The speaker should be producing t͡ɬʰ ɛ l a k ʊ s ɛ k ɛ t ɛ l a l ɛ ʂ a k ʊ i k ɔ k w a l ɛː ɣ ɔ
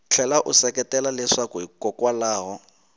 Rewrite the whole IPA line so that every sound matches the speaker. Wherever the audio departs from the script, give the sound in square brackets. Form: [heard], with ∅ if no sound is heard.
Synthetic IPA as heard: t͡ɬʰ ɛ l a [ʔ] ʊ s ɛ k ɛ t ɛ l a l ɛ ʂ a k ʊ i k ɔ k w a l [aː] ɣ ɔ